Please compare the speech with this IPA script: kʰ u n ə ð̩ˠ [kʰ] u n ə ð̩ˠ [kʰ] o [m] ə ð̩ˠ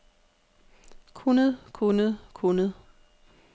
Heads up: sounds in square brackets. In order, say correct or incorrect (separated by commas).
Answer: correct, correct, incorrect